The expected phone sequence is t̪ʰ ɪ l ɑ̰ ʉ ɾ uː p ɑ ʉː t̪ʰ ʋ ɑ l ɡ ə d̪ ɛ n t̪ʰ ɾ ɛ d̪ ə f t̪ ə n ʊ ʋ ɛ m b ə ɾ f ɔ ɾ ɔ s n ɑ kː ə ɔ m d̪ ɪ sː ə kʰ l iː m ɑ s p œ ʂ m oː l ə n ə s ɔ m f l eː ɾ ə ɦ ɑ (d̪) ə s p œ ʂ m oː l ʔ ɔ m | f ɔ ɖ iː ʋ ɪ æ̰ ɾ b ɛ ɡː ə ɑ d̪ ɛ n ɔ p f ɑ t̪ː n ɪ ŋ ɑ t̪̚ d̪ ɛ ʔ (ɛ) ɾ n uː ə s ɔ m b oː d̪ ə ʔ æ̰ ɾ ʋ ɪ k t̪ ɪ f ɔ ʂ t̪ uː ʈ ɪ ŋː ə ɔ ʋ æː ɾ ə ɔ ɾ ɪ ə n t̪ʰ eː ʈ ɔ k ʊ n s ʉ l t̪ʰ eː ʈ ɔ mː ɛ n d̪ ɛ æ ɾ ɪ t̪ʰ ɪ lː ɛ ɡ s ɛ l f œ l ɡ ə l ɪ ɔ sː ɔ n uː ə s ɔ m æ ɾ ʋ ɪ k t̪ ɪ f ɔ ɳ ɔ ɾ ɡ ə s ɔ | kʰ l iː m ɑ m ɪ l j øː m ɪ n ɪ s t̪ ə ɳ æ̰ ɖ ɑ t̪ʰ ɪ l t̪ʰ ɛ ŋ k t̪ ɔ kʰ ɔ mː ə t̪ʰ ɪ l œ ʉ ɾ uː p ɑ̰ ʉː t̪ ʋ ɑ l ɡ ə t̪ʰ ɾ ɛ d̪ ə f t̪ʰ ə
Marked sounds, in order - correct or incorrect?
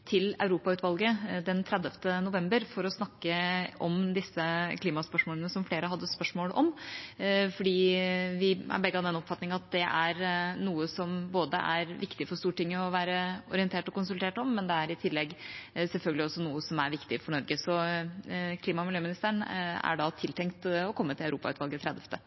incorrect, incorrect

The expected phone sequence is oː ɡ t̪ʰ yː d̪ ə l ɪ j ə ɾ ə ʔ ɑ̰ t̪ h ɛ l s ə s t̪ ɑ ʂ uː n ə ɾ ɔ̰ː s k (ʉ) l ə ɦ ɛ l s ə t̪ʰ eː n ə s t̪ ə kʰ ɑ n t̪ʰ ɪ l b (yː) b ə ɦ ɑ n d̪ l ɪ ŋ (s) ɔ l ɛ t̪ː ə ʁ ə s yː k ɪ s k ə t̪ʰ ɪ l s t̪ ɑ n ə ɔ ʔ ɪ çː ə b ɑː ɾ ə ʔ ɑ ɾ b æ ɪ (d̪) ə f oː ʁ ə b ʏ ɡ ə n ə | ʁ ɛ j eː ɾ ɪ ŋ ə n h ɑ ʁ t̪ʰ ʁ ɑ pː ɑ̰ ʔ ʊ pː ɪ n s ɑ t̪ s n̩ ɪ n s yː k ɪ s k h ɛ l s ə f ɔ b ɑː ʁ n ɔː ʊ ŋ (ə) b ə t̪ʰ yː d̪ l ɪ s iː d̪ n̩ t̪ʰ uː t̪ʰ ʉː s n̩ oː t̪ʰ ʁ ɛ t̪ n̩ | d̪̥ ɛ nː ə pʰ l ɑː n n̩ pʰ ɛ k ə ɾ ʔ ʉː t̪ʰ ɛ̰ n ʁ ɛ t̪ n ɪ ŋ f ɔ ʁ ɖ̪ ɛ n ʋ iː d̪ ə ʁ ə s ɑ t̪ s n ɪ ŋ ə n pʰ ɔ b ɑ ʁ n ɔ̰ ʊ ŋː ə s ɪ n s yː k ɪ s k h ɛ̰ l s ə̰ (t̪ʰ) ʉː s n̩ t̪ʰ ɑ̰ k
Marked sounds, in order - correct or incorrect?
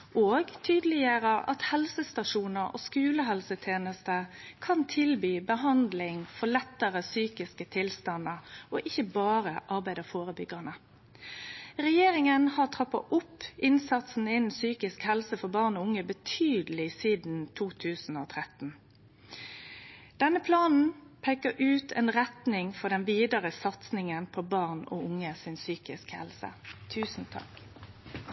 incorrect, correct, incorrect, correct, correct, correct

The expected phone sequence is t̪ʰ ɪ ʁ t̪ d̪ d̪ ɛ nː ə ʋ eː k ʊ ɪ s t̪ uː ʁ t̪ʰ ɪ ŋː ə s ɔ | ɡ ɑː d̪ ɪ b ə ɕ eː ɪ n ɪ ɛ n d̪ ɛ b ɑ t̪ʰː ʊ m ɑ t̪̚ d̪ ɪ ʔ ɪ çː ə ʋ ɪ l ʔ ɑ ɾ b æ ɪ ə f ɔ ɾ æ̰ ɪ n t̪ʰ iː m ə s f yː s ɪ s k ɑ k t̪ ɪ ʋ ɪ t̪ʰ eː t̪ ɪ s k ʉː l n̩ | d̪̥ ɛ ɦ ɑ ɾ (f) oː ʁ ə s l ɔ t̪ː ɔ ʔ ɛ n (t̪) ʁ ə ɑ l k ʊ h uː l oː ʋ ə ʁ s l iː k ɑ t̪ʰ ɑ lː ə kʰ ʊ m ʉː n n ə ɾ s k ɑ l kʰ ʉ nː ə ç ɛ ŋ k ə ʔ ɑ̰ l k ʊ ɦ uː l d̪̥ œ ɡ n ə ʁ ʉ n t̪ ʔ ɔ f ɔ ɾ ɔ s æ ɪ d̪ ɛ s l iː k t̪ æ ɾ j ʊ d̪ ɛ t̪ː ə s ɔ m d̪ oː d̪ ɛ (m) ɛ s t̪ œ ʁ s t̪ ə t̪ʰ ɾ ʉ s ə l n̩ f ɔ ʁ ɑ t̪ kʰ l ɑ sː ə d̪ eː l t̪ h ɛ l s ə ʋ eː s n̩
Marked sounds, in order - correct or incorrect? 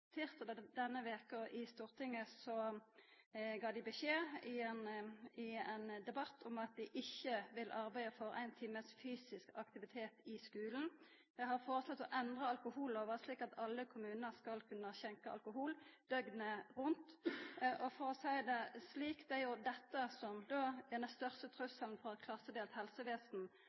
correct, incorrect, incorrect

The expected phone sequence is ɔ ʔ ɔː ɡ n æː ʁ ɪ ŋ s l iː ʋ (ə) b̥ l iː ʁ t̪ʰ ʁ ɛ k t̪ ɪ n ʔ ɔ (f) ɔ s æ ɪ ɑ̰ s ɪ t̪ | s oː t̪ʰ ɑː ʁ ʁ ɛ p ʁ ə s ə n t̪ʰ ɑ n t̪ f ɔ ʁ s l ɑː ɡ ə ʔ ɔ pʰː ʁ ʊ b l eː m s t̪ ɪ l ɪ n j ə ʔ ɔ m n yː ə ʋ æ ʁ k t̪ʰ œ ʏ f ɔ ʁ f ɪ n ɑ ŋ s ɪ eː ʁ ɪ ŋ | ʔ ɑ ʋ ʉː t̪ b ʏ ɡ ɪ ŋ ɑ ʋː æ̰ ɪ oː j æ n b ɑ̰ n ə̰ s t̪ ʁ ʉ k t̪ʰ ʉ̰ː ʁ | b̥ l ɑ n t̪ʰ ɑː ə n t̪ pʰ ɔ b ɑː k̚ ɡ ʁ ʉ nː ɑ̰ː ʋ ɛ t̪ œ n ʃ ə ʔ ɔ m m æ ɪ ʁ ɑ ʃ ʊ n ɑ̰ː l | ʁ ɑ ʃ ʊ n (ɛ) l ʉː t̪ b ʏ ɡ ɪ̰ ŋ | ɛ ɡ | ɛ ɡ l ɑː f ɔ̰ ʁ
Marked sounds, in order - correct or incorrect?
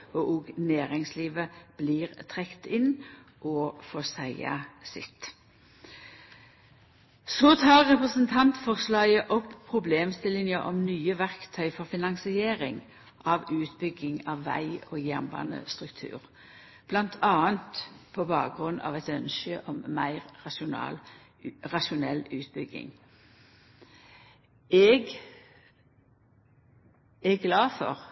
correct, correct, correct

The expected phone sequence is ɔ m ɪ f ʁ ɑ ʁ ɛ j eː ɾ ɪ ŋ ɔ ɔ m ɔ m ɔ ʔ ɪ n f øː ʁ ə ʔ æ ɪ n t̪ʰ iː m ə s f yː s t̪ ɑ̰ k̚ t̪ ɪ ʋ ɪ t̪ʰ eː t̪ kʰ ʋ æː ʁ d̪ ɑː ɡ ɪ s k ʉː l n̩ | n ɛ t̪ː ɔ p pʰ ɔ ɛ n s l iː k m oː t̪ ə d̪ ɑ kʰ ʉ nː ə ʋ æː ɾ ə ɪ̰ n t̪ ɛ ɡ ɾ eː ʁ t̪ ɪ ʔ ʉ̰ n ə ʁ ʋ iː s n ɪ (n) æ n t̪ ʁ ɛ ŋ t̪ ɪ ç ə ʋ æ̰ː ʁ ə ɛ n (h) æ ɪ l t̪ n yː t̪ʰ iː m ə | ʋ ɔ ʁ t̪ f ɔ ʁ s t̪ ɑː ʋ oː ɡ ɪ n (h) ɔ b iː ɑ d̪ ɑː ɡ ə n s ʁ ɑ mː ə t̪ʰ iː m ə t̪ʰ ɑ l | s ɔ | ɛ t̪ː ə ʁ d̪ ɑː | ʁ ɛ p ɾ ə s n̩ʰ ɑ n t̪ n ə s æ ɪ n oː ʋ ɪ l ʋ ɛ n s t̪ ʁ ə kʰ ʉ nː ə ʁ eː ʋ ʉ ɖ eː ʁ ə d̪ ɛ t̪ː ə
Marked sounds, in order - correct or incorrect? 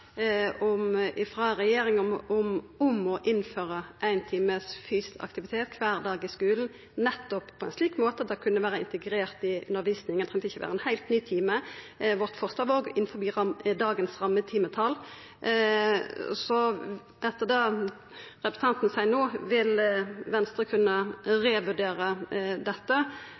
incorrect, correct, incorrect

